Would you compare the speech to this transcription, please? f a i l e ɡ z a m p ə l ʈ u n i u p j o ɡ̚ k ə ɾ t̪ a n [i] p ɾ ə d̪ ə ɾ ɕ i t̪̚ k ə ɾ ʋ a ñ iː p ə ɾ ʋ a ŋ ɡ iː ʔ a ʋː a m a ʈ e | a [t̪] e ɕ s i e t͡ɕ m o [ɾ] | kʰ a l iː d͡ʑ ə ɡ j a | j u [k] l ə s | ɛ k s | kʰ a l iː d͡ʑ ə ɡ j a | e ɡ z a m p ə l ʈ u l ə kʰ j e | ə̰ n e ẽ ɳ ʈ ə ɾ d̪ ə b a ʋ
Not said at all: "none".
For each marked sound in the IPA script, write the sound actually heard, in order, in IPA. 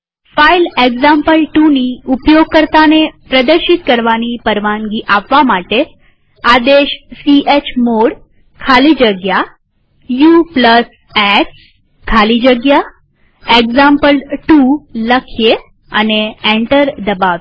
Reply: e, d̪, ɽ, p

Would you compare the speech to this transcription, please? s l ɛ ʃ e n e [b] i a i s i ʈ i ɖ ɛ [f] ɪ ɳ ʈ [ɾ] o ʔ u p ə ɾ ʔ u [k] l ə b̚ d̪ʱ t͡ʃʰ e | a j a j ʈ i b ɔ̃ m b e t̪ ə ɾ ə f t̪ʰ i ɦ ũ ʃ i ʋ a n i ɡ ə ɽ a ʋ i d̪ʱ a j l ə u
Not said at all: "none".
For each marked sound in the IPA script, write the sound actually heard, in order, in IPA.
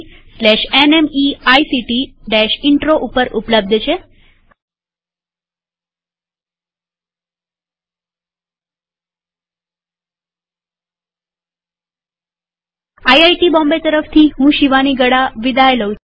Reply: m, ʃ, ɾ, p

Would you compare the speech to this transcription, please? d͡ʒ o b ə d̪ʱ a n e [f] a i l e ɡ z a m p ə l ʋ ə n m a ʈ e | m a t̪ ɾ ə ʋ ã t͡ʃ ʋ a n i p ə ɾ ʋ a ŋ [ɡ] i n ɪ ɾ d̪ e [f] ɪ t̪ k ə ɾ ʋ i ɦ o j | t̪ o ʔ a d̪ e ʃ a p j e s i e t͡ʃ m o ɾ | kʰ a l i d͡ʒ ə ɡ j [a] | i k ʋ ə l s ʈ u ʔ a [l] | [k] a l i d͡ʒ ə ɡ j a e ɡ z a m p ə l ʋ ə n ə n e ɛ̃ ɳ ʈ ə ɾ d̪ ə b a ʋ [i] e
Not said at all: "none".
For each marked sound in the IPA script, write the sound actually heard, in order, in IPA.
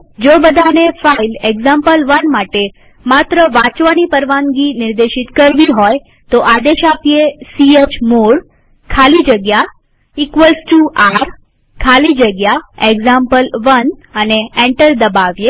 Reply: f, ɡ, ʃ, a, ɾ, kʰ, j

